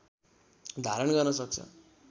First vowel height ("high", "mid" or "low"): low